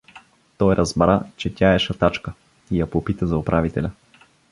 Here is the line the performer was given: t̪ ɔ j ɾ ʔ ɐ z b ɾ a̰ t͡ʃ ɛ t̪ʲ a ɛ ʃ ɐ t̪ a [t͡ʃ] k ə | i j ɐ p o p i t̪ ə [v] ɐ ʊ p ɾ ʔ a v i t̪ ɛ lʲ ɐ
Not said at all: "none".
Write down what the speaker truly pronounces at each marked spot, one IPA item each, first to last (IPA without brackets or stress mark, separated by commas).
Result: t͡ʃ, z